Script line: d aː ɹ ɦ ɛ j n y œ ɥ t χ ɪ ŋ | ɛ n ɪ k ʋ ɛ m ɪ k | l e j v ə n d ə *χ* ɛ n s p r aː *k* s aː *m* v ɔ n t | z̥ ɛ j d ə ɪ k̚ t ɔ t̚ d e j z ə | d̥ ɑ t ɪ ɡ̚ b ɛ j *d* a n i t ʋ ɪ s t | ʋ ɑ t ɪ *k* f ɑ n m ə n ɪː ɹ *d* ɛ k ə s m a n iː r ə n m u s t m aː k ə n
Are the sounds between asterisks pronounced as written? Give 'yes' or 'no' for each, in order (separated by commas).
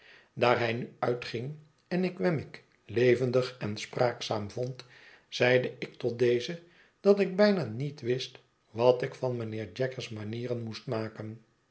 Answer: yes, yes, yes, no, yes, no